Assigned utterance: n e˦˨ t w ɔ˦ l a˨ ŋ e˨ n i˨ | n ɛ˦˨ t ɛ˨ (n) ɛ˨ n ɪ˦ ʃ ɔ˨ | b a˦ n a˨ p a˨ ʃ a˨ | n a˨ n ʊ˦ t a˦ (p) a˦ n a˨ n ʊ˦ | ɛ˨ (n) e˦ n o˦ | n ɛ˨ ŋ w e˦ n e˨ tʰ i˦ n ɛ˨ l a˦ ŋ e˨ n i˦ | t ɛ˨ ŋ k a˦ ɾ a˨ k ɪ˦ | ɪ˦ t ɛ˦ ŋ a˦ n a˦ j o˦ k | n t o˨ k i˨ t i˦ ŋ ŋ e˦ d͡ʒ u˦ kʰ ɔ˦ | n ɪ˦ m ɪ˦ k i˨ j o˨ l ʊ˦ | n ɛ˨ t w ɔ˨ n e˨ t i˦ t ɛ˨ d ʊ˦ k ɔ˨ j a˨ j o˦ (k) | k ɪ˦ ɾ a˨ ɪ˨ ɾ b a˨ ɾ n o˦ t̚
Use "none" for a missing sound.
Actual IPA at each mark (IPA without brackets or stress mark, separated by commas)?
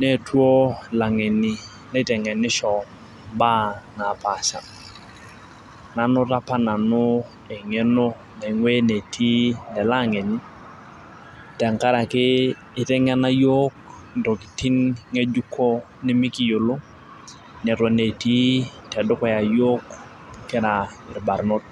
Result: ŋ, p, ŋ, k